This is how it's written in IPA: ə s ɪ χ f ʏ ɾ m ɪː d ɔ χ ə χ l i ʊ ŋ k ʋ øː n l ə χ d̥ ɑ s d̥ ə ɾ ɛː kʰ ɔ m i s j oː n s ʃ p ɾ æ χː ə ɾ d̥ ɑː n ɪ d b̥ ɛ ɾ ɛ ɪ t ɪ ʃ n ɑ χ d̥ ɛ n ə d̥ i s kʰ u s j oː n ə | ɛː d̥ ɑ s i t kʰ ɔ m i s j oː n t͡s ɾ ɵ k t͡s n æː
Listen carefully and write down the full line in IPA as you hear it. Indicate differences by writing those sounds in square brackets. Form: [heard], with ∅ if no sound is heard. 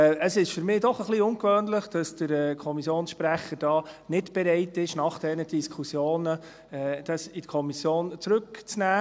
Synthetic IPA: ə s ɪ [ʃ] f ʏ ɾ m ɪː d ɔ χ ə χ l i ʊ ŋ k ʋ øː n l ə χ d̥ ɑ s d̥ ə ɾ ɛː kʰ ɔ m i s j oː n s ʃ p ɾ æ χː ə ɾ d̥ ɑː n ɪ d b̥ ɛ ɾ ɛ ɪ t ɪ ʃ n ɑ χ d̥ ɛ n ə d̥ i s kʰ u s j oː n ə | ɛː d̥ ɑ s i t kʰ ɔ m i s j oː n t͡s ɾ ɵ k t͡s n æː

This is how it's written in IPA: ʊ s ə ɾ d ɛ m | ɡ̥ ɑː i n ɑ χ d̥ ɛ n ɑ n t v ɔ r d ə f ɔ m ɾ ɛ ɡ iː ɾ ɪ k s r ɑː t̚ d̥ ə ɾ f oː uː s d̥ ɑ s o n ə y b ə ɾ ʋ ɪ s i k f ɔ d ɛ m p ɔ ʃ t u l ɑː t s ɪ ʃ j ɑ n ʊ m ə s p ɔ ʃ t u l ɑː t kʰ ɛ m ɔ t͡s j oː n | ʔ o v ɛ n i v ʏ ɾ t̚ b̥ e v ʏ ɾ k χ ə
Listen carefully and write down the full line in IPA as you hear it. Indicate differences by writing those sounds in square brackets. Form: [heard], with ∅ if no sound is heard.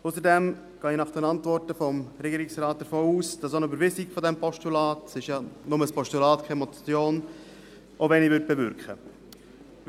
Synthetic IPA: ʊ s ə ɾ d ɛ m | ɡ̥ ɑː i n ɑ χ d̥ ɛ n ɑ n t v ɔ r [t] ə f ɔ m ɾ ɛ ɡ iː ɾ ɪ k s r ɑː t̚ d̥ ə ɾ f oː uː s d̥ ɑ s o n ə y b ə ɾ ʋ ɪ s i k f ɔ d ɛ m p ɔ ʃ t u l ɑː t s ɪ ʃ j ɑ n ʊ m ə s p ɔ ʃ t u l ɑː t kʰ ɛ m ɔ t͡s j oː n | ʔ o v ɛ n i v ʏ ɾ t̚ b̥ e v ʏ ɾ k χ ə

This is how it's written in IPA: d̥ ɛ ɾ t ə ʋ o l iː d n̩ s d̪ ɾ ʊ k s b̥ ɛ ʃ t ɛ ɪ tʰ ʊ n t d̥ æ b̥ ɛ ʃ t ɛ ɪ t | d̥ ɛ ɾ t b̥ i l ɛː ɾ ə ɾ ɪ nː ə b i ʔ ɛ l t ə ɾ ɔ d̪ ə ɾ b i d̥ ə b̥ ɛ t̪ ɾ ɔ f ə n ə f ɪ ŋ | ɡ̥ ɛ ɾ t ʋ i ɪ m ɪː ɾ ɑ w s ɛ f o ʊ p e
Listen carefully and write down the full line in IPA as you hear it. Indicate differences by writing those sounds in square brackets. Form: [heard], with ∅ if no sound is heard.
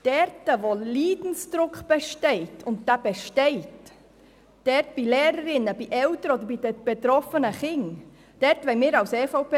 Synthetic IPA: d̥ ɛ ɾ t ə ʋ o l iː d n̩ s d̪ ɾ ʊ k [χ] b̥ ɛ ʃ t ɛ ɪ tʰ ʊ n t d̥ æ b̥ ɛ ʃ t ɛ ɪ t | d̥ ɛ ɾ t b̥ i l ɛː ɾ ə ɾ ɪ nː ə b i ʔ ɛ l t ə ɾ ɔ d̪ ə ɾ b i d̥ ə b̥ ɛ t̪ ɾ ɔ f ə n ə [χ] ɪ ŋ | [d̥] ɛ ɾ t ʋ [ɛ] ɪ m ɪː ɾ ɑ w s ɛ f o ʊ p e

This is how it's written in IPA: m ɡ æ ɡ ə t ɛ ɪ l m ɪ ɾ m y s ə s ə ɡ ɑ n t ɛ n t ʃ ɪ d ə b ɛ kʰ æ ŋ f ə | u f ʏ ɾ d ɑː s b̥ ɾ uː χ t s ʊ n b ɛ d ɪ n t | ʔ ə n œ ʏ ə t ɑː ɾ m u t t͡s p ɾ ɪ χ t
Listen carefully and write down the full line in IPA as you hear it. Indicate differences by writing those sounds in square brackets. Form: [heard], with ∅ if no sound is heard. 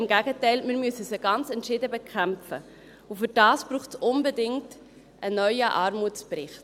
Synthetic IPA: m ɡ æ ɡ ə t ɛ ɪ l m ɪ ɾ m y s ə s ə ɡ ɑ n [t͡s] ɛ n t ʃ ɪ d ə b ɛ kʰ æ [m] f ə | u f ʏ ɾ d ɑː s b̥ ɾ uː χ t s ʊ n b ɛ d ɪ [ŋ] t | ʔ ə n œ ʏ ə [ʔ] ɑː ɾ m u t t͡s p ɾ ɪ χ t

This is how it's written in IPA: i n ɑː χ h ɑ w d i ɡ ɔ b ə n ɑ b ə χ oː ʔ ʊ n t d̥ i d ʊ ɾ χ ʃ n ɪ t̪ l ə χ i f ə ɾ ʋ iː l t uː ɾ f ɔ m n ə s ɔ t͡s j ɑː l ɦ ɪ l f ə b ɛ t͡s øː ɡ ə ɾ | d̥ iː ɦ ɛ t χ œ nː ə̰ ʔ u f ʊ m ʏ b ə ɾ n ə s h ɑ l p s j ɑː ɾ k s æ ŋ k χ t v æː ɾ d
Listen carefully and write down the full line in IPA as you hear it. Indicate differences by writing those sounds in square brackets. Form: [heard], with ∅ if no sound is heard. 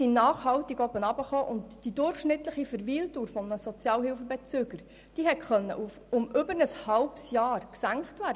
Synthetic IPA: i n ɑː χ h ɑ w [t] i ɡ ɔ b ə n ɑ b ə χ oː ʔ ʊ n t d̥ i d ʊ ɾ χ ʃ n ɪ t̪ l ə χ i f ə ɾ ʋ iː l t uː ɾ f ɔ m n ə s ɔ t͡s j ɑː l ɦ ɪ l f ə b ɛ t͡s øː ɡ ə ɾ | d̥ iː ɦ ɛ t χ œ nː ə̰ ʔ u f ʊ m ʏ b ə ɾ n ə s h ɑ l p s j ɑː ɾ k s æ ŋ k χ t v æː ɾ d

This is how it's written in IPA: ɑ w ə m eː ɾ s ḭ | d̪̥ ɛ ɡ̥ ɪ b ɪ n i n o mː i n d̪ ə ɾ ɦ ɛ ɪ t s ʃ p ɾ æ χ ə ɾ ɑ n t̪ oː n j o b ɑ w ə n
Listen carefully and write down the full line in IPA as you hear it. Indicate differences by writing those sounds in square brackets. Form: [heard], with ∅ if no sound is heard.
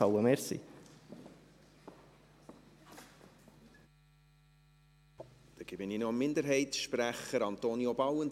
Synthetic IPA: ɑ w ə m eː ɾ s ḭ | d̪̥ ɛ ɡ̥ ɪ b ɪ n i n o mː [ɪ] n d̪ ə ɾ ɦ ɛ ɪ t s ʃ p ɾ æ χ ə ɾ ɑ n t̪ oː n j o b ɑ w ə n

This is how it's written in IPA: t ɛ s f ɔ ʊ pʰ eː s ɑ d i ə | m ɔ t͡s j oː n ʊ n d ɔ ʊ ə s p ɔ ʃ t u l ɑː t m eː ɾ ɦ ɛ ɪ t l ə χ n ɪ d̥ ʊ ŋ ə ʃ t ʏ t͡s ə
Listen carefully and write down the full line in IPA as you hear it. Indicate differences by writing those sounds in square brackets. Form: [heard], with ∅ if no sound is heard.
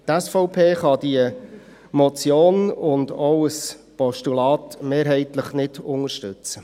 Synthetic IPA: t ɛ s f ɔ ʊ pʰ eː [χ] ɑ d i ə | m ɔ t͡s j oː n ʊ n d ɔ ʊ ə s p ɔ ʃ t u l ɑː t m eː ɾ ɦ ɛ ɪ t l ə χ n ɪ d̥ ʊ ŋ ə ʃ t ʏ t͡s ə

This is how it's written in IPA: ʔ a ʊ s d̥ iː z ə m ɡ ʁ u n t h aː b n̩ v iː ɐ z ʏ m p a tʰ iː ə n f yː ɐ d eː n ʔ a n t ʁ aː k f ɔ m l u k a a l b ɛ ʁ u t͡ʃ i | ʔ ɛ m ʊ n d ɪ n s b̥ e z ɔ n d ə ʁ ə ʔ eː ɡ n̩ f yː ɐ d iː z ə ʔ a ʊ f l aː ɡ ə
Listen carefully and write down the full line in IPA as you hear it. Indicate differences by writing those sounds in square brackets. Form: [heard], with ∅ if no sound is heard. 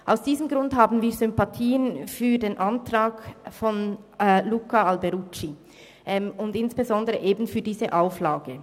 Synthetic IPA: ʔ a ʊ s d̥ iː z ə m ɡ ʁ [ʊ] n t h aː b n̩ v iː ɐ z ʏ m p a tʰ iː ə n f yː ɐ d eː n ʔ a n t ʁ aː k f ɔ [n] l u k a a l b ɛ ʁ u t͡ʃ i | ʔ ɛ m ʊ n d ɪ n s b̥ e z ɔ n d ə ʁ ə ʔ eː [b] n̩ f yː ɐ d iː z ə ʔ a ʊ f l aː ɡ ə

